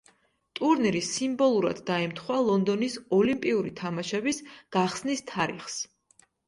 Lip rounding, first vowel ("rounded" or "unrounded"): rounded